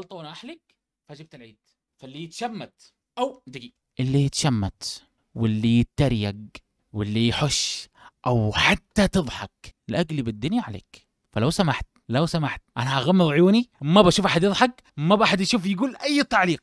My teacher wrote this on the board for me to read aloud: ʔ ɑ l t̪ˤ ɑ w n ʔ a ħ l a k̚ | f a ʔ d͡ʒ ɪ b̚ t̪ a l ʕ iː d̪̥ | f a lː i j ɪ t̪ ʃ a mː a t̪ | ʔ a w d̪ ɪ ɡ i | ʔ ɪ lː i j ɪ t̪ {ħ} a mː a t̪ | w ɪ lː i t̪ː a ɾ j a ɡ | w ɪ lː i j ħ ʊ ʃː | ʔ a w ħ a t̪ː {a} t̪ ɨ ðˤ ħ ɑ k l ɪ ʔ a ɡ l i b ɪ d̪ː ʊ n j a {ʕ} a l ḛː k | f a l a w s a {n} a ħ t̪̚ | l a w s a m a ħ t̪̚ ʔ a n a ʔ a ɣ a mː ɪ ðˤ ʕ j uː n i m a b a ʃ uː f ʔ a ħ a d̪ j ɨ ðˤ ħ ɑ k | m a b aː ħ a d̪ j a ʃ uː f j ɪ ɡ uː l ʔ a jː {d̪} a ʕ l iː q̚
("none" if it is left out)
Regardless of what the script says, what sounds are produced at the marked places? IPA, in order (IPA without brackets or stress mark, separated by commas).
ʃ, a, ʕ, m, t̪